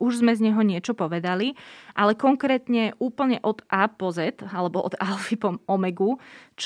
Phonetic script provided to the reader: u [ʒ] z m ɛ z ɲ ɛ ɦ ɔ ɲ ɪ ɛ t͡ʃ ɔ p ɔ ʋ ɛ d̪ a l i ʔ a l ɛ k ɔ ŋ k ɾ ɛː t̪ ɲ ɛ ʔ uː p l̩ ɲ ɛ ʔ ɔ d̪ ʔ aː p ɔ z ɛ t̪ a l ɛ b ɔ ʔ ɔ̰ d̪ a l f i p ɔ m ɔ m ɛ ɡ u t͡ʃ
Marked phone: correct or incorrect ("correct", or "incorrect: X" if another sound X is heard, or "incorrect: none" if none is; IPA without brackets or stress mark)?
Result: correct